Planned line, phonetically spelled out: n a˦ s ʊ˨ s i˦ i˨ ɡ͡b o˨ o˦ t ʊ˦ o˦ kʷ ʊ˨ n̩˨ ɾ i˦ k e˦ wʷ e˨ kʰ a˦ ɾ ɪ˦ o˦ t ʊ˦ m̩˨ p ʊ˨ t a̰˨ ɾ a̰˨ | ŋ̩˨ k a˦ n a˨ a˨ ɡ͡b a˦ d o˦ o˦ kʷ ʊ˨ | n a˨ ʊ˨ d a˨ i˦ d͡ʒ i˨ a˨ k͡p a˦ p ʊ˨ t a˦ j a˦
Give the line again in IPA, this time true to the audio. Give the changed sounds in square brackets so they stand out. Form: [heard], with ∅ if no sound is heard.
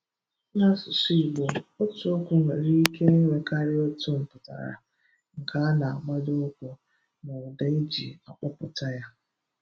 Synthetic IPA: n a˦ s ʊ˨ s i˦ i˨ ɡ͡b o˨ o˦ t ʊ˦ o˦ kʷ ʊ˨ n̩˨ ɾ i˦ k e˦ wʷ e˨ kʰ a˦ ɾ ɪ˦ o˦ t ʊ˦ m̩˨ p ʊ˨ t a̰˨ ɾ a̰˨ | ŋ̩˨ k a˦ n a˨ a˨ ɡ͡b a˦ d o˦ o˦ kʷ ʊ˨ | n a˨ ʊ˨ d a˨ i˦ d͡ʒ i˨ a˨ k͡p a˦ p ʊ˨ t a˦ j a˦